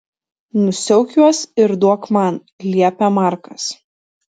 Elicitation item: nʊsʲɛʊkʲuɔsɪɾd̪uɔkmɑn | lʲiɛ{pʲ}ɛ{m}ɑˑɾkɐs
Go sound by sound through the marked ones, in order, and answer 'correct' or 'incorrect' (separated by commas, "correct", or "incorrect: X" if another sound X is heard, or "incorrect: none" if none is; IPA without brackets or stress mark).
correct, correct